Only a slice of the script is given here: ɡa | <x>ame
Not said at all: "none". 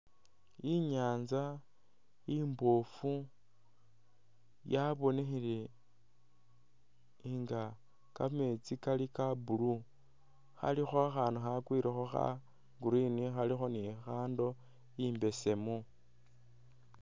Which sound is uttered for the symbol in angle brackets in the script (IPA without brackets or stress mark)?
k